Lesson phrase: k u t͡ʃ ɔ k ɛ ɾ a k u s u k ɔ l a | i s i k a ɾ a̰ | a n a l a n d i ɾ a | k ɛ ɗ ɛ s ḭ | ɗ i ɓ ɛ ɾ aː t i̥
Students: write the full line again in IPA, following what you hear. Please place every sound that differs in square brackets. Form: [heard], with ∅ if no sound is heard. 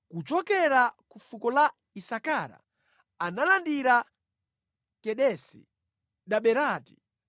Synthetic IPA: k u t͡ʃ ɔ k ɛ ɾ a k u [f] u k ɔ l a | i s [a] k a ɾ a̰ | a n a l a n d i ɾ a | k ɛ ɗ ɛ s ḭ | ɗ [a] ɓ ɛ ɾ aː t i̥

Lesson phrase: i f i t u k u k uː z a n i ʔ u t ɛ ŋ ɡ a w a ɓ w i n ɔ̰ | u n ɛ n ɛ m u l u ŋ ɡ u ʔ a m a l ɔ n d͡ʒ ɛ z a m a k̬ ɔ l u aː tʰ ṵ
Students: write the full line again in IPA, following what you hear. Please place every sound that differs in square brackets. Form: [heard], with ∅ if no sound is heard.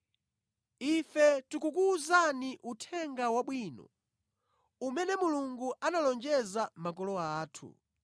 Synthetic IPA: i f [ɛ] t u k u k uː z a n i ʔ u [tʰ] ɛ ŋ ɡ a w a ɓ w i n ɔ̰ | u [m] ɛ n ɛ m u l u ŋ ɡ u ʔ a [n] a l ɔ n d͡ʒ ɛ z a m a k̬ ɔ l [ɔ] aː tʰ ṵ

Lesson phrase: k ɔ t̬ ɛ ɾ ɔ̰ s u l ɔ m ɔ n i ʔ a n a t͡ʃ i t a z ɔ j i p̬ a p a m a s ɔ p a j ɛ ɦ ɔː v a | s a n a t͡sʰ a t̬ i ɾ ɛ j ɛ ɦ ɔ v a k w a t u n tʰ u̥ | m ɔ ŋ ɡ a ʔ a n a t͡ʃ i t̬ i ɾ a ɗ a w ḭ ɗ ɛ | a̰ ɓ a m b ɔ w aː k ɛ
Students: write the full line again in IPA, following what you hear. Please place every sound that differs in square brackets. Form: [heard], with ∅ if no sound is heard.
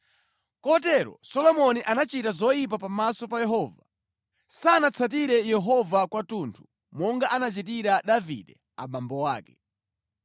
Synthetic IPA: k ɔ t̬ ɛ ɾ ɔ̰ s [ɔ] l ɔ m ɔ n i ʔ a n a t͡ʃ i t a z ɔ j i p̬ a p a m a s ɔ p a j ɛ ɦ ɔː v a | s a n a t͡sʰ a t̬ i ɾ ɛ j ɛ ɦ ɔ v a k w a t u n tʰ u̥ | m ɔ ŋ ɡ a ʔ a n a t͡ʃ i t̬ i ɾ a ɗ a [v] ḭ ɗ ɛ | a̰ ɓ a m b ɔ w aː k ɛ

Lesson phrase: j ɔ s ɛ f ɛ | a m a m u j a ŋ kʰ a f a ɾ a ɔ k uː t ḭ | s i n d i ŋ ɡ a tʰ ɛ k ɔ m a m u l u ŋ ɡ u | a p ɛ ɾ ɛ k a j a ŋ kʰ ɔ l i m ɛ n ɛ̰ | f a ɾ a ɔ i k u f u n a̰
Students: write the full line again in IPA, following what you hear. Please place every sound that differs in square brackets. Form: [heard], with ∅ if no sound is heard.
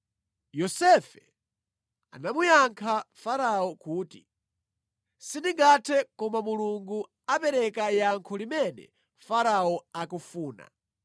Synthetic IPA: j ɔ s ɛ f ɛ | a [n] a m u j a ŋ kʰ a f a ɾ a ɔ k uː t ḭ | s i n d i ŋ ɡ a tʰ ɛ k ɔ m a m u l u ŋ ɡ u | a p ɛ ɾ ɛ k a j a ŋ kʰ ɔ l i m ɛ n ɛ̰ | f a ɾ a ɔ [a] k u f [uː] n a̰

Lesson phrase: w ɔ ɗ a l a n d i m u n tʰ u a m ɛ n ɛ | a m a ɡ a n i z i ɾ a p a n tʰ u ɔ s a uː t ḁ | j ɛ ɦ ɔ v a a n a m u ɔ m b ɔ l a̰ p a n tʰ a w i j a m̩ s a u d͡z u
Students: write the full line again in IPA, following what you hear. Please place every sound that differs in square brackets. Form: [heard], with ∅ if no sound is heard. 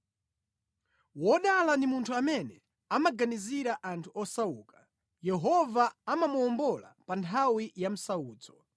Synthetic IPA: w ɔ ɗ a l a n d i m u n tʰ u a m ɛ n ɛ | a m a ɡ a n i z i ɾ a [ʔ] a n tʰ u ɔ s a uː [k] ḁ | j ɛ ɦ ɔ v a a [m] a m u ɔ m b ɔ l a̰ p a n tʰ a w i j a m̩ s a [uː] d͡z [ɔ]

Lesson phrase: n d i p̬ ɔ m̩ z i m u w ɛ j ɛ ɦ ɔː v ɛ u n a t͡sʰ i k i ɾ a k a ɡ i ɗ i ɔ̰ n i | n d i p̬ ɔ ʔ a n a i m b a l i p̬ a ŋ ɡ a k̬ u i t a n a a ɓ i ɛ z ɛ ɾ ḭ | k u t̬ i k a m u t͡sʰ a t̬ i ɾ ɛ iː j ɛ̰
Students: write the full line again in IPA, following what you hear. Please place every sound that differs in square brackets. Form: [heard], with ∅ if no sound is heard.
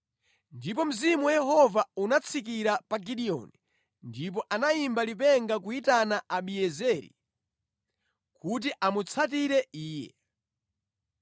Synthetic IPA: n d i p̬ ɔ m̩ z i m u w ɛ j ɛ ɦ [ɔ] v [a] u n a t͡sʰ i k i ɾ a [p] a ɡ i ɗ i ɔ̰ n i | n d i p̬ ɔ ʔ a n a i m b a l i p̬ [ɛ] ŋ ɡ a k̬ u i t a n a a ɓ i ɛ z ɛ ɾ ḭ | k u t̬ i [ʔ] a m u t͡sʰ a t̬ i ɾ ɛ iː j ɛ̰

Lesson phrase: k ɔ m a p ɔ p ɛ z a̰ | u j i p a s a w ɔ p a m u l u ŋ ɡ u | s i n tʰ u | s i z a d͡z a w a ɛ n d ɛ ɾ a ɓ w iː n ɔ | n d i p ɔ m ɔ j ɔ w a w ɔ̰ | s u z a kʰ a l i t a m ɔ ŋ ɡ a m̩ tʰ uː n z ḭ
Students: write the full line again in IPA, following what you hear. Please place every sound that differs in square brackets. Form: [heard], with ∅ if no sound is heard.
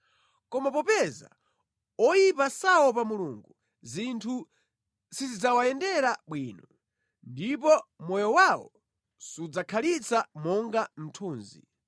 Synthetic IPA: k ɔ m a p ɔ p ɛ z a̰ | [ɔ] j i p a s a w ɔ p a m u l u ŋ ɡ u | [z] i n tʰ u | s i z [i] d͡z a w a ɛ n d ɛ ɾ a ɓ w iː n ɔ | n d i p ɔ m ɔ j ɔ w a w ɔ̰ | s u [d͡z] a kʰ a l i [t͡s] a m ɔ ŋ ɡ a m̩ tʰ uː n z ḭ

